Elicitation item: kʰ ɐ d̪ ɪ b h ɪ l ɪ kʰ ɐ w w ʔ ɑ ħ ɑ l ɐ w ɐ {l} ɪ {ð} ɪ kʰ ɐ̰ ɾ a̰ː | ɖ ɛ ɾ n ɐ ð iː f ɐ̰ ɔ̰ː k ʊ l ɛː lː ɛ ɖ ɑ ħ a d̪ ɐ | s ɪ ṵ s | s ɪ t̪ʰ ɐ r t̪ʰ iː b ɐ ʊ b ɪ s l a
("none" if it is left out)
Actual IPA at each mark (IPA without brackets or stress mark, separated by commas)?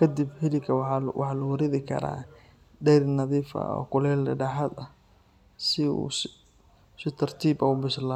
ɾ, ð